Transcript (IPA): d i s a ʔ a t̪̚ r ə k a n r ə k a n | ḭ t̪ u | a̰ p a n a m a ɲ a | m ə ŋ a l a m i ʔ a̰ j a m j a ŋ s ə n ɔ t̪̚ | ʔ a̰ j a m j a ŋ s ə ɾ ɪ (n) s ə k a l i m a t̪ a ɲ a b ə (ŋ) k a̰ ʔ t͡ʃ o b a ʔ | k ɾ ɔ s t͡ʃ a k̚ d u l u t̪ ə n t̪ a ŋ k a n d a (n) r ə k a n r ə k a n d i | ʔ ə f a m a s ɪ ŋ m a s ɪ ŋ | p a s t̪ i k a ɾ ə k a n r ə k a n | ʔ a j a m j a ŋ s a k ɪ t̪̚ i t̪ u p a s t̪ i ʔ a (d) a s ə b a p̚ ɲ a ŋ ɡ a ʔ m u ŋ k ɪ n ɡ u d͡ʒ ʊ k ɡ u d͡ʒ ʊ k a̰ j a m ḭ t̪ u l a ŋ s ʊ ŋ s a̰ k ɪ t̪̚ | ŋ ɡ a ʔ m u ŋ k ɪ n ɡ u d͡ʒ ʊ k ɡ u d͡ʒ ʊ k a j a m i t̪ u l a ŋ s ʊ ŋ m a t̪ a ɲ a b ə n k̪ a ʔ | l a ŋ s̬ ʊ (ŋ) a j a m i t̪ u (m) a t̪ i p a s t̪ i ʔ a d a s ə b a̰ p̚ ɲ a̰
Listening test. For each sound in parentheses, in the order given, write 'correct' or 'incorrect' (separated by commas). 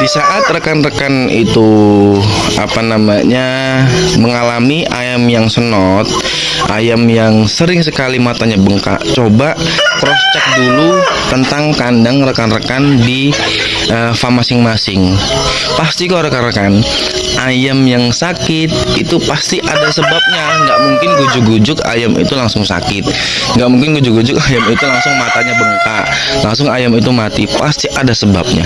incorrect, correct, incorrect, correct, correct, correct